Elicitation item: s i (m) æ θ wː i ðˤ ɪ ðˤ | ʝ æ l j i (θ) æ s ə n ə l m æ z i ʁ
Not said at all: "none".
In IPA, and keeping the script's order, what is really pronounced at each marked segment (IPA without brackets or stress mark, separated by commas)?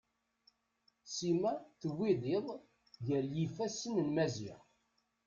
m, f